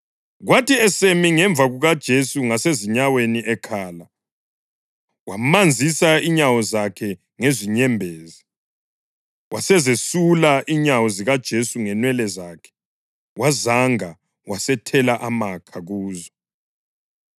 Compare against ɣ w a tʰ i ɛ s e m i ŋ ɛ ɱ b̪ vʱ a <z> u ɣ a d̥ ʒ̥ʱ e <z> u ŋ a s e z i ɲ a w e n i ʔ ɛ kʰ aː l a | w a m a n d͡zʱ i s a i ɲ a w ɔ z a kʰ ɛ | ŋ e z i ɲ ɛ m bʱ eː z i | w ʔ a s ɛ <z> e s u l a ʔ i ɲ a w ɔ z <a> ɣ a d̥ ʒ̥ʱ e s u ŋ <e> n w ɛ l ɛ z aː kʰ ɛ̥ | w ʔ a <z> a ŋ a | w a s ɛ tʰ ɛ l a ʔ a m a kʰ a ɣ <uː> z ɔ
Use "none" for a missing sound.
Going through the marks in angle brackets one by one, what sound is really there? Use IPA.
ɣ, s, z, i, ɛ, z, uː

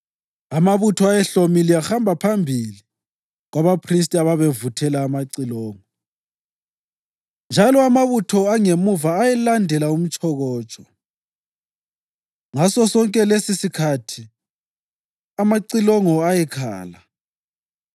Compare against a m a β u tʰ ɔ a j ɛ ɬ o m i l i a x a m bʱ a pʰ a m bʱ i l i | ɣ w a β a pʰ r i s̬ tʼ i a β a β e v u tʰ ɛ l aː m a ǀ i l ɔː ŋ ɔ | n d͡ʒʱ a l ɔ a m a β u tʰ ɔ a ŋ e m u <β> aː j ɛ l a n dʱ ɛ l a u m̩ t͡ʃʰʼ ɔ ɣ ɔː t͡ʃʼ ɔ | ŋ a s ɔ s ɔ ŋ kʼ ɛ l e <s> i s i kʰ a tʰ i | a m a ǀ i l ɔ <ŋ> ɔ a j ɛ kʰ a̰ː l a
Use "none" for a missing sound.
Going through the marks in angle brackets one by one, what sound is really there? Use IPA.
v, s, ŋ

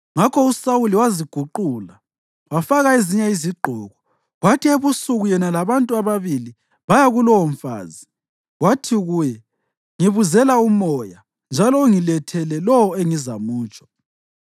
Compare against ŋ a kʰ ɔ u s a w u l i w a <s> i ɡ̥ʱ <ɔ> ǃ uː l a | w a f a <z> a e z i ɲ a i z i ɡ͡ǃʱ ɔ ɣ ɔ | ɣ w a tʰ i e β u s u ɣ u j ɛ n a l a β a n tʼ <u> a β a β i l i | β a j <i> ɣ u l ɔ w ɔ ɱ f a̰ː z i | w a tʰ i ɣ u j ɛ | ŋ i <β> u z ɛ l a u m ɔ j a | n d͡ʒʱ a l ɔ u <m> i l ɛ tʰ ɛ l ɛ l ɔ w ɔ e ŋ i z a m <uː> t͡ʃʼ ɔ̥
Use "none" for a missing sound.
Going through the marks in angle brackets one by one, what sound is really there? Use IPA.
z, u, ɣ, u, a, β, ŋ, uː

